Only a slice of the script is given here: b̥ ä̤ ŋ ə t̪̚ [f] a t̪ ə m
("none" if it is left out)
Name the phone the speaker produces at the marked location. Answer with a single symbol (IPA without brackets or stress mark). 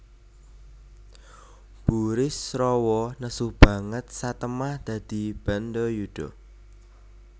s